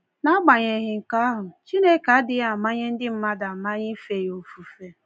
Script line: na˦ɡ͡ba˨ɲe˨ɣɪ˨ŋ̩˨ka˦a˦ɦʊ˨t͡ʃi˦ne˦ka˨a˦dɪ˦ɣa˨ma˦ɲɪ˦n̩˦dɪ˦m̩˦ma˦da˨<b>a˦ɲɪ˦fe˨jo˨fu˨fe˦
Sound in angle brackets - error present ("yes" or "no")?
yes